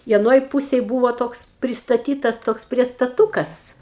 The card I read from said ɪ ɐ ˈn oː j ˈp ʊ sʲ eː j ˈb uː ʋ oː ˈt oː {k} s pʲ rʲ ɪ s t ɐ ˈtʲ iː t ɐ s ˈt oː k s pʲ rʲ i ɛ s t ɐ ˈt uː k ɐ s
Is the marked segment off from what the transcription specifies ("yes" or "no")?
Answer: no